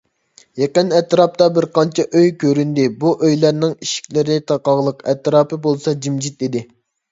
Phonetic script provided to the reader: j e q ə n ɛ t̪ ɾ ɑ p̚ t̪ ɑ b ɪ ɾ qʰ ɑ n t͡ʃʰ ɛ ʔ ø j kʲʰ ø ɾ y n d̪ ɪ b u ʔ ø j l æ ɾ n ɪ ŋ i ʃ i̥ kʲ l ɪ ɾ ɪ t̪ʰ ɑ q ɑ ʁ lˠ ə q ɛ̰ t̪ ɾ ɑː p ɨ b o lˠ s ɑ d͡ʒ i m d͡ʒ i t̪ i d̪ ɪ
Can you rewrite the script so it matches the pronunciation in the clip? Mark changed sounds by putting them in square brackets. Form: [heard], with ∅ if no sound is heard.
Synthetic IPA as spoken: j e q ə n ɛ t̪ ɾ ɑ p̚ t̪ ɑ b ɪ ɾ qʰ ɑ n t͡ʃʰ ɛ ʔ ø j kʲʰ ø ɾ y n d̪ ɪ b u ʔ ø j l æ ɾ n ɪ ŋ i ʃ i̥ kʲ l ɪ ɾ ɪ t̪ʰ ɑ q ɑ ʁ lˠ ə q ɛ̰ t̪ ɾ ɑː p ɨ b o lˠ s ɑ d͡ʒ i m d͡ʒ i t̪ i d̪ ɪ

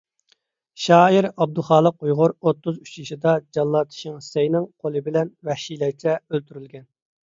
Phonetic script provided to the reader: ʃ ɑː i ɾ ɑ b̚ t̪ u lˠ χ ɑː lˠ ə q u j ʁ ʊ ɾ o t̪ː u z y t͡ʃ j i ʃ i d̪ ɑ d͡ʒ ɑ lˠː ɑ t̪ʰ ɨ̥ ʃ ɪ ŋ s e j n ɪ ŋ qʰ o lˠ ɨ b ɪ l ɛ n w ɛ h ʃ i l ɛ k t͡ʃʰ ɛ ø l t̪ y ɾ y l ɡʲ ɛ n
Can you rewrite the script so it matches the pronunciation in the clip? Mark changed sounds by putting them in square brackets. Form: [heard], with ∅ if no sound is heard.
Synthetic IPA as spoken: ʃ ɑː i ɾ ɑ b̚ [d̪] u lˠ χ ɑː lˠ ə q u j ʁ ʊ ɾ o t̪ː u z y t͡ʃ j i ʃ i d̪ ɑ d͡ʒ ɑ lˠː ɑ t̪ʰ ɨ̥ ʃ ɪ ŋ s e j n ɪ ŋ qʰ o lˠ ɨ b ɪ l ɛ n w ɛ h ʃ i l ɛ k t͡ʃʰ ɛ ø l t̪ y ɾ y l ɡʲ ɛ n

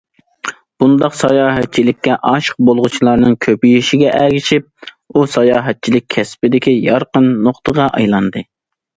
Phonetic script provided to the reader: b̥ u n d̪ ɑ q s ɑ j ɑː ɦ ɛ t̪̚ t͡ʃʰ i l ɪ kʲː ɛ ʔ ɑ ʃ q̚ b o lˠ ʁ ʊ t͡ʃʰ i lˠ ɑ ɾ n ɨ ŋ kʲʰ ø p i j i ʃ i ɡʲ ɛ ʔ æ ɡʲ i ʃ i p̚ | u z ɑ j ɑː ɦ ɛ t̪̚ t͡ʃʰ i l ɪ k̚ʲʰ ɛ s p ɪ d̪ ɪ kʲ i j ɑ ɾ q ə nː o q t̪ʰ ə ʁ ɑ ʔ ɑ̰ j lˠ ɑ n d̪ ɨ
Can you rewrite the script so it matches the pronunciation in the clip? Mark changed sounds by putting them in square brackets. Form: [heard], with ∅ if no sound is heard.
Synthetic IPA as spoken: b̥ u n d̪ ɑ q s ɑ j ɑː ɦ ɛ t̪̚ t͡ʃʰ i l ɪ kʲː ɛ ʔ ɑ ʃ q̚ b o lˠ ʁ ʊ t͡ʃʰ i lˠ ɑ ɾ n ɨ ŋ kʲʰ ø p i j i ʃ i ɡʲ ɛ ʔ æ ɡʲ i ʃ i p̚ | u [s] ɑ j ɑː ɦ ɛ t̪̚ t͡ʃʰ i l ɪ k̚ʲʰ ɛ s p ɪ d̪ ɪ kʲ i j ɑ ɾ q ə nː o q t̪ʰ ə ʁ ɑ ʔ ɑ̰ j lˠ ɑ n d̪ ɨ

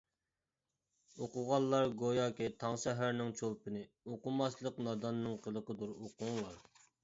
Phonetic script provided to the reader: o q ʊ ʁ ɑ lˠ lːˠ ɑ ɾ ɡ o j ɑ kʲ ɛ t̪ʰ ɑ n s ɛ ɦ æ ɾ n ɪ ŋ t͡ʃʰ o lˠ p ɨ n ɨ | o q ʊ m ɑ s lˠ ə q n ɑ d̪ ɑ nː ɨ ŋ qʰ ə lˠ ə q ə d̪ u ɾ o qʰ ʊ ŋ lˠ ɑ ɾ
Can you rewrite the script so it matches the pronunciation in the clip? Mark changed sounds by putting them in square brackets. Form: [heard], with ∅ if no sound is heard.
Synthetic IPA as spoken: o q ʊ ʁ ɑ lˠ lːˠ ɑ ɾ ɡ o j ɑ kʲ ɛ t̪ʰ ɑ [ŋ] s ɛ ɦ æ ɾ n ɪ ŋ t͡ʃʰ o lˠ p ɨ n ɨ | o q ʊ m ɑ s lˠ ə q n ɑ d̪ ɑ nː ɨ ŋ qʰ ə lˠ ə q ə d̪ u ɾ o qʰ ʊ ŋ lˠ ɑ ɾ

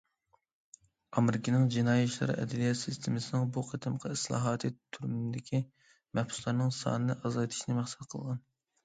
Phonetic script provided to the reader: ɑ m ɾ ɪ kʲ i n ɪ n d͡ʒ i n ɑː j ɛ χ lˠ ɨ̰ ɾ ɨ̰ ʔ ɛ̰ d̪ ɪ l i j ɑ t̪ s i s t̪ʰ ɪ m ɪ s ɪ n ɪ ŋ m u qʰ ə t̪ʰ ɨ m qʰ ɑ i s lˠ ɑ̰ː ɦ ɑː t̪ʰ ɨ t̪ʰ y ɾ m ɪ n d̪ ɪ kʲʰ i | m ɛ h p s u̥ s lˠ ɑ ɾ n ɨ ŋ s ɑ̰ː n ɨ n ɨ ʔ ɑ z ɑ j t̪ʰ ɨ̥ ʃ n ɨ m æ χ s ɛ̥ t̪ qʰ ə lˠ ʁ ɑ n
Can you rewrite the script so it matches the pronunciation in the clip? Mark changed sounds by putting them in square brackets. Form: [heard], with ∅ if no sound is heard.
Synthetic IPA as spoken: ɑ m ɾ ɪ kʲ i n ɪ [ŋ] d͡ʒ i n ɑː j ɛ [ʃ] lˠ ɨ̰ ɾ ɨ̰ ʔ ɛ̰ d̪ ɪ l i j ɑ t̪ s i s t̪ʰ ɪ m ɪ s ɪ n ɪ ŋ [b] u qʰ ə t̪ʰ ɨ m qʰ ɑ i s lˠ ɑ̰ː ɦ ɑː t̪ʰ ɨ t̪ʰ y ɾ m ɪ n d̪ ɪ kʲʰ i | m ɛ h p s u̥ s lˠ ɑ ɾ n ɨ ŋ s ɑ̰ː n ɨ n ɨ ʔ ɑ z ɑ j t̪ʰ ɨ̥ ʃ n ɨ m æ χ s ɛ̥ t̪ qʰ ə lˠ ʁ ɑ n

